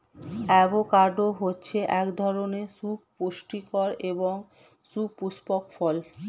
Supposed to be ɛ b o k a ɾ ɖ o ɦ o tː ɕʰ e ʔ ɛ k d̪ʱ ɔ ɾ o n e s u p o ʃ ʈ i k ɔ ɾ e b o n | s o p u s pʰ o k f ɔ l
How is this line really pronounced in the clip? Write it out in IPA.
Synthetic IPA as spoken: ɛ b o k a ɾ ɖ o ɦ o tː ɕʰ e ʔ ɛ k d̪ʱ ɔ ɾ o n e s u p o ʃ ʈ i k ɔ ɾ e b o ŋ | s u p u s p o k f ɔ l